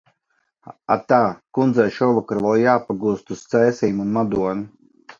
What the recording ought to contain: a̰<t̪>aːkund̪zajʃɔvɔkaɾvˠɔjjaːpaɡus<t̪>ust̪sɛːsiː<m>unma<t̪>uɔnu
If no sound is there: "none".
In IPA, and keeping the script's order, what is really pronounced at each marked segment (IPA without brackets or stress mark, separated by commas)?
t̪, t̪, m, d̪